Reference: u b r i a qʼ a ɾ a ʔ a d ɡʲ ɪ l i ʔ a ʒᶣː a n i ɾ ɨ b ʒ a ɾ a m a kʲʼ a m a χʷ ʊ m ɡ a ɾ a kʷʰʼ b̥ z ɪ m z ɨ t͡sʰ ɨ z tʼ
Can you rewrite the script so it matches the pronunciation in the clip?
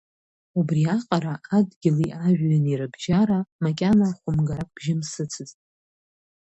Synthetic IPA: u b r i a qʼ a ɾ a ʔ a d ɡʲ ɪ l i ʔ a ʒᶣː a n i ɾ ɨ b ʒ a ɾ a m a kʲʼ a n a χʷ ʊ m ɡ a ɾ a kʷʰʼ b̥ ʒ ɪ m s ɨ t͡sʰ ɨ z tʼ